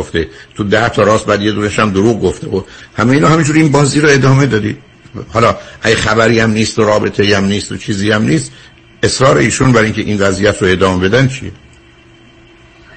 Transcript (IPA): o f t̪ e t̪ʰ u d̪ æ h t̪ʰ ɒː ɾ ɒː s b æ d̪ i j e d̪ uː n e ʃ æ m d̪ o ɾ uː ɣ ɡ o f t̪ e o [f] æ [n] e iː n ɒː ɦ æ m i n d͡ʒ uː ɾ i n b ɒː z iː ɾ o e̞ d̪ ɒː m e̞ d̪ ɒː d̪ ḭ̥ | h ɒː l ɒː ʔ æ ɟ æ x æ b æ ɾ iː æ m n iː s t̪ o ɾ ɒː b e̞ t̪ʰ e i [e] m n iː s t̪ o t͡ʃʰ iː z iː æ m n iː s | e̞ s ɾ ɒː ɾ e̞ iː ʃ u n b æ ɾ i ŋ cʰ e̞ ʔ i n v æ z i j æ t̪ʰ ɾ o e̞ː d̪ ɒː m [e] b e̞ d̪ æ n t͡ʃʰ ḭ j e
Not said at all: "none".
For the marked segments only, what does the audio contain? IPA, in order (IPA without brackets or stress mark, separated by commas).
h, m, æ, e